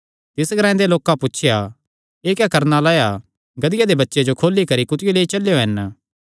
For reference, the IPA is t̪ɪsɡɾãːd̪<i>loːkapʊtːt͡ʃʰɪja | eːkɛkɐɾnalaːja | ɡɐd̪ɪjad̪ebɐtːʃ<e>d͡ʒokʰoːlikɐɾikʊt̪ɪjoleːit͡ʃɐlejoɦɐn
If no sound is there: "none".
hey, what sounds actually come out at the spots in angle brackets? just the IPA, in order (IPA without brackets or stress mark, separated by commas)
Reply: e, e